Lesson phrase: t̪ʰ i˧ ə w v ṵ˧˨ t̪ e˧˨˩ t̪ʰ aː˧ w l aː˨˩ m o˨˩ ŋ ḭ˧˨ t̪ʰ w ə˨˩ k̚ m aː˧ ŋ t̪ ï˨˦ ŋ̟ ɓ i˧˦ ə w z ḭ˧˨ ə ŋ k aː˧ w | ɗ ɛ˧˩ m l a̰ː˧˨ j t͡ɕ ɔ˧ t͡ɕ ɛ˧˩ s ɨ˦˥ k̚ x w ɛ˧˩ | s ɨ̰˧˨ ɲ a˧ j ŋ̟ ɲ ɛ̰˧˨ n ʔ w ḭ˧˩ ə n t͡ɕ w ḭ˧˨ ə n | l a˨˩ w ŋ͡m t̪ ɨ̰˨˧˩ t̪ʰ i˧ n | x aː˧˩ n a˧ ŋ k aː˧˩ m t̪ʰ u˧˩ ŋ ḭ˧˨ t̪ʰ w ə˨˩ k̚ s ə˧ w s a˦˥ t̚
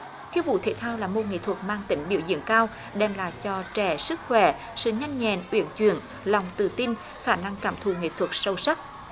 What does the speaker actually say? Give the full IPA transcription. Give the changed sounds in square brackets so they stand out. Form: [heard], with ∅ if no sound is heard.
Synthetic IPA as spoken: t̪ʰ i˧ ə w v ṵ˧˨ [t̪ʰ] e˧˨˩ t̪ʰ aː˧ w l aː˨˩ m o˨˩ ŋ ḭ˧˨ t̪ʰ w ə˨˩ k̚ m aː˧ ŋ t̪ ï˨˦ ŋ̟ ɓ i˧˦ ə w z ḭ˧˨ ə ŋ k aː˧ w | ɗ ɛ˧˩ m l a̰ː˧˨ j t͡ɕ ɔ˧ t͡ɕ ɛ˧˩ s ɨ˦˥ k̚ x w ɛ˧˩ | s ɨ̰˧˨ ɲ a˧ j ŋ̟ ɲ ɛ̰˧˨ n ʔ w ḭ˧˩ ə n t͡ɕ w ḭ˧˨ ə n | l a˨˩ w ŋ͡m t̪ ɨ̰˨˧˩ [t̪] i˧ n | x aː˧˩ n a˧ ŋ k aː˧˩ m t̪ʰ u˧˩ ŋ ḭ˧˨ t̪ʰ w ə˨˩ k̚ s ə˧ w s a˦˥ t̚

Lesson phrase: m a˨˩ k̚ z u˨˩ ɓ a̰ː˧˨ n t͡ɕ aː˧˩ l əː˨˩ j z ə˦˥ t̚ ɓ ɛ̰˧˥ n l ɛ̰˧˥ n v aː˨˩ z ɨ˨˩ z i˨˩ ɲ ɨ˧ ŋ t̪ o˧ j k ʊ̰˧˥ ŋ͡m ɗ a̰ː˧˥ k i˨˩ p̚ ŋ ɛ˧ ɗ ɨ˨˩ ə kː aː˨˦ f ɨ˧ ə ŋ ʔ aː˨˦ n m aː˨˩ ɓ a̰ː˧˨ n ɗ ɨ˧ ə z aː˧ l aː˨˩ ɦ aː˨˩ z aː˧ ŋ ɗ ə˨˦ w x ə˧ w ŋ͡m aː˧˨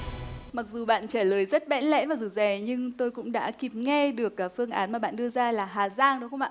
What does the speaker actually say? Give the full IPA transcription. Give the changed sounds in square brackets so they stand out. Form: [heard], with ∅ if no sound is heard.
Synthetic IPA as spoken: m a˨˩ k̚ z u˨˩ ɓ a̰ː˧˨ n t͡ɕ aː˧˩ l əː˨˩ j z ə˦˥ t̚ ɓ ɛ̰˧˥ n l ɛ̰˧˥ n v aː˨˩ z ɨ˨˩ z [ɛ˨˩] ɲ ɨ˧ ŋ t̪ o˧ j k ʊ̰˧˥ ŋ͡m ɗ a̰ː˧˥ k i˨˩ p̚ ŋ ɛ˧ ɗ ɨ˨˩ ə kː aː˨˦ f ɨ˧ ə ŋ ʔ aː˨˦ n m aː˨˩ ɓ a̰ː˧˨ n ɗ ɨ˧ ə z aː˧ l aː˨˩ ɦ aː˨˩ z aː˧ ŋ ɗ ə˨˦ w x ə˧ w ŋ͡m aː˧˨

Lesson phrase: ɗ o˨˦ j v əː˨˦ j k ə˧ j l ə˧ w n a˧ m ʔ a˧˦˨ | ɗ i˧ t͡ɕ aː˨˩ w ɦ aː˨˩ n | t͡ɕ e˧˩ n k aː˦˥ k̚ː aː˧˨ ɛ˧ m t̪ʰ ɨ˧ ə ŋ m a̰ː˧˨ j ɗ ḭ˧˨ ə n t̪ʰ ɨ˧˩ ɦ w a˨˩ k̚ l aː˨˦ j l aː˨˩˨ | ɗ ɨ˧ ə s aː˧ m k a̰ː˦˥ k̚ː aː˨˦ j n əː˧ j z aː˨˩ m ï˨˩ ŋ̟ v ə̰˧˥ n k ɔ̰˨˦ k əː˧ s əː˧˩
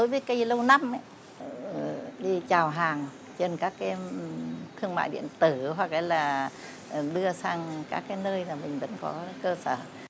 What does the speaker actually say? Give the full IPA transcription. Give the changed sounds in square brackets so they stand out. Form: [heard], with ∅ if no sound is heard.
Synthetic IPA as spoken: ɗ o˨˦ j v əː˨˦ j k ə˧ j l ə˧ w n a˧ m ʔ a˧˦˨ | ɗ i˧ t͡ɕ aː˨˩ w ɦ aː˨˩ [ŋ] | t͡ɕ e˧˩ n k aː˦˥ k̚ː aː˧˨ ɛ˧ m t̪ʰ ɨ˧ ə ŋ m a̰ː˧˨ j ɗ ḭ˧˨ ə n [t̪] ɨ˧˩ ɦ w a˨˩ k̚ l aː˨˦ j l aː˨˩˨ | ɗ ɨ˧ ə s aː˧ [ŋ] k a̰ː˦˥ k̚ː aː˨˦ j n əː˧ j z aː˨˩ m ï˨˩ ŋ̟ v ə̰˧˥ n k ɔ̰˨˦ k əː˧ s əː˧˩

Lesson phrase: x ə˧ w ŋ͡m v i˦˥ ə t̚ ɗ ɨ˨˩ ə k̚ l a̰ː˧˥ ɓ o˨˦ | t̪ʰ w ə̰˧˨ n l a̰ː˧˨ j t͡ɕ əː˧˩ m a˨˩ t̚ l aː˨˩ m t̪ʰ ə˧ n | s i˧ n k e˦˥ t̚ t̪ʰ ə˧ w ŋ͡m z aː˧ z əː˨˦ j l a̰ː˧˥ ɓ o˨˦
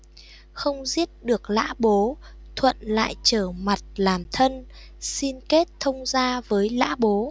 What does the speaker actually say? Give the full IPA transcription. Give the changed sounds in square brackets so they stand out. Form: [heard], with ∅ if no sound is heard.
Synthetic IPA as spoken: x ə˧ w ŋ͡m [z] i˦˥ ə t̚ ɗ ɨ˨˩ ə k̚ l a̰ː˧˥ ɓ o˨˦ | t̪ʰ w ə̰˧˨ n l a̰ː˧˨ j t͡ɕ əː˧˩ m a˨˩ t̚ l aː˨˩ m t̪ʰ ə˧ n | s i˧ n k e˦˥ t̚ t̪ʰ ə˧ w ŋ͡m z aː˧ [v] əː˨˦ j l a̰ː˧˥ ɓ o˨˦

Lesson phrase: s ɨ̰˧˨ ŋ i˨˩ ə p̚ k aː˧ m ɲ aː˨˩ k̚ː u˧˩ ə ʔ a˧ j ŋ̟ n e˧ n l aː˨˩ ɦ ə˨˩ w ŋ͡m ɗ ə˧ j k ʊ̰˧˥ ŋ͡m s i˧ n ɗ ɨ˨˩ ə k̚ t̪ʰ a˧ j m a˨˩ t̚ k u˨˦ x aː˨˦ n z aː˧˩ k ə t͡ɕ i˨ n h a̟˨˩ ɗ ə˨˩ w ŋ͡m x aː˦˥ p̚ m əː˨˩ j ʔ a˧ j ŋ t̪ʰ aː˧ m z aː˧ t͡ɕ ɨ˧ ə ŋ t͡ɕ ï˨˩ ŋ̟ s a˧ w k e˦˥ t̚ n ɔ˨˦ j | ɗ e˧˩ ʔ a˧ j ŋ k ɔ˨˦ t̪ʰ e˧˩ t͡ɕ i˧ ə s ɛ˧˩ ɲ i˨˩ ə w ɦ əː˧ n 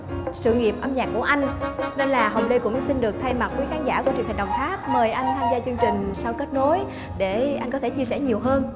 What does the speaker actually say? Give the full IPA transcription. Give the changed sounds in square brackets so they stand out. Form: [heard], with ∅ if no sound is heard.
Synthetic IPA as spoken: s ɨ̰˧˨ ŋ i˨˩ ə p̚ [ʔ] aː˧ m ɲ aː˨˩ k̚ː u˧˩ ə ʔ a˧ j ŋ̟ n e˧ n l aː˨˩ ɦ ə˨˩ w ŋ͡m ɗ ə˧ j k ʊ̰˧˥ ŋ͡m s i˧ n ɗ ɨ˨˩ ə k̚ t̪ʰ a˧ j m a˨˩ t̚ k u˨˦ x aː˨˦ n z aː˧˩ k ə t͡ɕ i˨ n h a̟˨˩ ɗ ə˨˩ w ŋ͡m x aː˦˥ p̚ m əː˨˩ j ʔ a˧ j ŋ t̪ʰ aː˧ m z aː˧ t͡ɕ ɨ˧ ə ŋ t͡ɕ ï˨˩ ŋ̟ s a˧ w k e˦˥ t̚ n [o˨˦] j | ɗ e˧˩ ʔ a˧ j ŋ k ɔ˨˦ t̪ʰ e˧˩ t͡ɕ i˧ ə s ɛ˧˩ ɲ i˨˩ ə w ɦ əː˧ n

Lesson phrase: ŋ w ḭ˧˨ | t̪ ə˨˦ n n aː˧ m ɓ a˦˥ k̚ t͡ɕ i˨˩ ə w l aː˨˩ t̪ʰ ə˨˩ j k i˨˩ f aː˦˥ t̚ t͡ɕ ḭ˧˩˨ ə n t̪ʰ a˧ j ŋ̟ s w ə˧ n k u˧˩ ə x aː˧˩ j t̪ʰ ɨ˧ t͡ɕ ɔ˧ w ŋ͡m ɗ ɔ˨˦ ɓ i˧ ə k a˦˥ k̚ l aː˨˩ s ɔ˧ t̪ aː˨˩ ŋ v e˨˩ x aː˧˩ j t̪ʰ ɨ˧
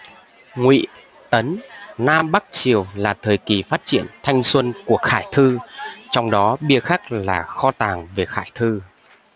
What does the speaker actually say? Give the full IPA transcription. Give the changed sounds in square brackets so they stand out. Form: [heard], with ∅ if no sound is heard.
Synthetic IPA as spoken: ŋ w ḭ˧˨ | t̪ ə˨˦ n n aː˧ m ɓ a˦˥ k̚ t͡ɕ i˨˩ ə w l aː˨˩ t̪ʰ [əː˨˩] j k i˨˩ f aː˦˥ t̚ t͡ɕ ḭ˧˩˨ ə n t̪ʰ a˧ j ŋ̟ s w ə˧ n k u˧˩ ə x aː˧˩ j t̪ʰ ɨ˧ t͡ɕ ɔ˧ w ŋ͡m ɗ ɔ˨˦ ɓ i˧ ə [x] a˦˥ k̚ l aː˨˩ [x] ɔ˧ t̪ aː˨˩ ŋ v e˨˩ x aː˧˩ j t̪ʰ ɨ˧

